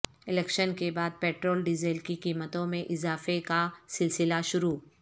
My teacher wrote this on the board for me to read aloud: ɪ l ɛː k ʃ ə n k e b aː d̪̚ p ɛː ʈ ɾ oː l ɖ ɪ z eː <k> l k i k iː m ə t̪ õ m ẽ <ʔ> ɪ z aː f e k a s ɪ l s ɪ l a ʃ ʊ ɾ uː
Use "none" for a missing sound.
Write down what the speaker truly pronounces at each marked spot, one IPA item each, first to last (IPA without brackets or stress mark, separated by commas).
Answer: none, ʔ